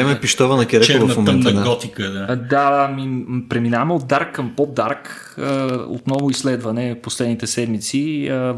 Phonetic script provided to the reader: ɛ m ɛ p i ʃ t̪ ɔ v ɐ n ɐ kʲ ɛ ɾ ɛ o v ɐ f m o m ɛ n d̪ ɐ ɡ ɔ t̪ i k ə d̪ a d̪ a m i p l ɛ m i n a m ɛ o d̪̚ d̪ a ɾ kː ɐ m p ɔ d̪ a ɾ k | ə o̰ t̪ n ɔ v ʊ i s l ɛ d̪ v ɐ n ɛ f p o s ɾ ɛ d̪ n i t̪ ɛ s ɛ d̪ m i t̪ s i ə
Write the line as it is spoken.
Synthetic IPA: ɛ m ɛ p i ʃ t̪ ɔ v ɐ n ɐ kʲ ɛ ɾ ɛ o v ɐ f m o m ɛ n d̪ a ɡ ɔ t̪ i k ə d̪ a d̪ a m i p ɾ ɛ m i n a m ɛ o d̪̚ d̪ a ɾ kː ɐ m p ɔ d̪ a ɾ k | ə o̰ t̪ n ɔ v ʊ i s l ɛ d̪ v ɐ n ɛ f p o s l ɛ d̪ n i t̪ ɛ s ɛ d̪ m i t̪ s i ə